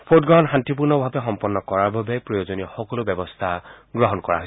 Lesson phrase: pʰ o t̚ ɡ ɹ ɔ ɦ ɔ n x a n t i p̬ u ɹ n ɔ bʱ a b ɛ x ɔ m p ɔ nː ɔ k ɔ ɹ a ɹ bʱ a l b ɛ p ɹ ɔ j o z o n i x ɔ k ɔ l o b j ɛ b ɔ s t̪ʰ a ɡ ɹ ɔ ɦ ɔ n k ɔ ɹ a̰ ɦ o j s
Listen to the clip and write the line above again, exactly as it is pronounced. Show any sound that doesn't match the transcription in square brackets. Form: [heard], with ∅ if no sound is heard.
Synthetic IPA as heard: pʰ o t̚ ɡ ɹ ɔ ɦ ɔ n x a n t i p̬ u ɹ n ɔ bʱ a b ɛ x ɔ m p ɔ nː ɔ k ɔ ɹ a ɹ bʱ a [∅] b ɛ p ɹ ɔ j o z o n i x ɔ k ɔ l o b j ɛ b ɔ s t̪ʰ a ɡ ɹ ɔ ɦ ɔ n k ɔ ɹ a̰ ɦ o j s

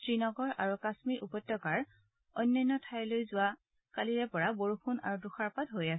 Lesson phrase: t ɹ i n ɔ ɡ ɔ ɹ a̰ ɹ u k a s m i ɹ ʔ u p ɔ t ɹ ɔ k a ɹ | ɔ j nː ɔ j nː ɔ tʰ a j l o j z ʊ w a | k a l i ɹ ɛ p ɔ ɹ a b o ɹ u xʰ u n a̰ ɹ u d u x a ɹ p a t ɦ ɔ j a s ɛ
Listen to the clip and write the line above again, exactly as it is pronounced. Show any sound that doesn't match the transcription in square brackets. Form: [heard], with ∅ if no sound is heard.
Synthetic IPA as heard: t ɹ i n ɔ ɡ ɔ ɹ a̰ ɹ u k a s m i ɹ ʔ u p ɔ t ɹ ɔ k a ɹ | ɔ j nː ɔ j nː ɔ tʰ a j l o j z ʊ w a | k a l i ɹ ɛ p ɔ ɹ a b o ɹ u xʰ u n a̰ ɹ u d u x a ɹ p a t ɦ [o] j a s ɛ

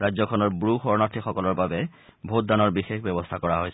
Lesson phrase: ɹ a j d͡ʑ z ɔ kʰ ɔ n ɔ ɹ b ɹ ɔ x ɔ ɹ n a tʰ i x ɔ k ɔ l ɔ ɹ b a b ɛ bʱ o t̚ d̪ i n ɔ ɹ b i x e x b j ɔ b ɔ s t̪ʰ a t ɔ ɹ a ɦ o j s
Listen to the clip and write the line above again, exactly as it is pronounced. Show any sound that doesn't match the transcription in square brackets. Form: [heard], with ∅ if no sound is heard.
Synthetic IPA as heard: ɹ a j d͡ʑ z ɔ kʰ ɔ n ɔ ɹ b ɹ [u] x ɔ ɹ n a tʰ i x ɔ k ɔ l ɔ ɹ b a b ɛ bʱ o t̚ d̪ [a] n ɔ ɹ b i x e x b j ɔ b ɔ s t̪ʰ a [k] ɔ ɹ a ɦ o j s

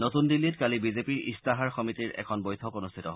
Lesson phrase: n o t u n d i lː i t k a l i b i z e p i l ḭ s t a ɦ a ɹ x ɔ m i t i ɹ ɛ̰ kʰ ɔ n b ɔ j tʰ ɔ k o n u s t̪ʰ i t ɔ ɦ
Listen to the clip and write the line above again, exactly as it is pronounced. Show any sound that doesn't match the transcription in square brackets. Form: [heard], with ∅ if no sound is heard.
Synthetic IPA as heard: n o t u n d i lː i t k a l i b i z e p i [ɹ] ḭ s t a ɦ a ɹ x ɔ m i t i ɹ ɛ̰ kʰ ɔ n b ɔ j tʰ ɔ k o n u s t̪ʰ i t ɔ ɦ

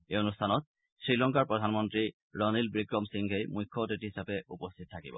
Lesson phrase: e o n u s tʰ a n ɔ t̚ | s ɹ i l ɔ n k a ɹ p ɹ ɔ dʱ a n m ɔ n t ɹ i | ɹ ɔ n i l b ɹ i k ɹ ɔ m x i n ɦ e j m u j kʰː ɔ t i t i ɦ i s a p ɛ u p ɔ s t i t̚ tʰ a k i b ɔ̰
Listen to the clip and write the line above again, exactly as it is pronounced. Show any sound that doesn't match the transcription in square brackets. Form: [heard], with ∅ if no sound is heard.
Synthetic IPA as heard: e o n u s tʰ a n ɔ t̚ | s ɹ i l ɔ [ŋ] k a ɹ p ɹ ɔ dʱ a n m ɔ n t ɹ i | ɹ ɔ n i l b ɹ i k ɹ ɔ m [s] i [ŋ] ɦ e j m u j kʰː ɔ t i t i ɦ i s a p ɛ u p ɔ s [tʰ] i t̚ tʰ a k i b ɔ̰

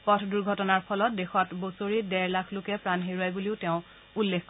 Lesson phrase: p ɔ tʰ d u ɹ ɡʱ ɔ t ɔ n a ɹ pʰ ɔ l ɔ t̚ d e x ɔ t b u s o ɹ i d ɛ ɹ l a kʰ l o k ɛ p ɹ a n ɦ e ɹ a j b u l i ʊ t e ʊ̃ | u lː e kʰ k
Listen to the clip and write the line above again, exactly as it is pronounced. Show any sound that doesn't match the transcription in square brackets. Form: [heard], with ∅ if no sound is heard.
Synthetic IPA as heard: p ɔ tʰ d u ɹ ɡʱ ɔ t ɔ n a ɹ pʰ ɔ l ɔ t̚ d e x ɔ t b [o] s o ɹ i d ɛ ɹ l a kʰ l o k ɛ p ɹ a n ɦ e ɹ a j b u l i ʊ t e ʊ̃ | u lː e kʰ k

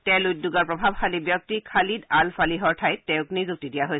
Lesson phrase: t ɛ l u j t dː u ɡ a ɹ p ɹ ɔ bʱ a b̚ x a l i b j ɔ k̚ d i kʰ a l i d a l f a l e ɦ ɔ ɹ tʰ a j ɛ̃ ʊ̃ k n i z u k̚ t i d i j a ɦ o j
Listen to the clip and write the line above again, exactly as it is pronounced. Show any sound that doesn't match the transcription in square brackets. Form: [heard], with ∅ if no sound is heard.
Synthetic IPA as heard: t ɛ l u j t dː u ɡ a ɹ p ɹ ɔ bʱ a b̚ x a l i b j ɔ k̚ [t] i kʰ a l i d a l f a l [i] ɦ ɔ ɹ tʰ a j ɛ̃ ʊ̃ k n i z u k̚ t i d i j a ɦ o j

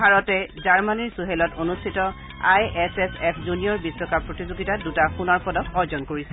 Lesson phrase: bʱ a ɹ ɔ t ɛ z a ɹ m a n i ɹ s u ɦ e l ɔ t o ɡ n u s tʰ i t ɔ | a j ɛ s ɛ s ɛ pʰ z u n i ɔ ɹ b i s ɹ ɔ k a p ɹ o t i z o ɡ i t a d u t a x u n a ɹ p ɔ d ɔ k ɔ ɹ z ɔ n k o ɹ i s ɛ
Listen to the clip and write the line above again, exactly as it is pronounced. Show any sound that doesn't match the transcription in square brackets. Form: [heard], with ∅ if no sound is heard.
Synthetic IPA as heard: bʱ a ɹ ɔ t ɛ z a ɹ m a n i ɹ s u ɦ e l ɔ t o [∅] n u s tʰ i t ɔ | a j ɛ s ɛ s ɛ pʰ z u n i ɔ ɹ b i s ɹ ɔ k a p ɹ o t i z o ɡ i t a d u t a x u n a ɹ p ɔ d ɔ k ɔ ɹ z ɔ n k o ɹ i s ɛ

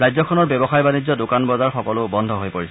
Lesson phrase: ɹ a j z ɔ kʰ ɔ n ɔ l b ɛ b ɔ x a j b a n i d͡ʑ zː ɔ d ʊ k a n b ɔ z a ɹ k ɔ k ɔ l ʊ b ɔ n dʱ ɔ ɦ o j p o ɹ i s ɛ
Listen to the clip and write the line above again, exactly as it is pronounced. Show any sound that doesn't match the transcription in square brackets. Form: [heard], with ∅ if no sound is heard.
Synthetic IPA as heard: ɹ a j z ɔ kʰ ɔ n ɔ [ɹ] b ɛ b ɔ x a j b a n i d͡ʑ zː ɔ d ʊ k a n b ɔ z a ɹ [x] ɔ k ɔ l ʊ b ɔ n dʱ ɔ ɦ o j p o ɹ i s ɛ

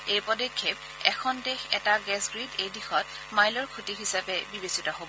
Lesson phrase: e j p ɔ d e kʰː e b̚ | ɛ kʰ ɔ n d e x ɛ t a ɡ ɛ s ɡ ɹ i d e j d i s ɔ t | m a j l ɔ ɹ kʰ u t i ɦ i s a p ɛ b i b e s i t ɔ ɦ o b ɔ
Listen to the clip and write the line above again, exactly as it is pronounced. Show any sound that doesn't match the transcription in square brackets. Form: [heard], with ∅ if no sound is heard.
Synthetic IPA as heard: e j p ɔ d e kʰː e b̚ | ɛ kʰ ɔ n d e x ɛ t a ɡ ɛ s ɡ ɹ i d e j d i [x] ɔ t | m a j l ɔ ɹ kʰ u t i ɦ i s a p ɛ b i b e s i t ɔ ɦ o b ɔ

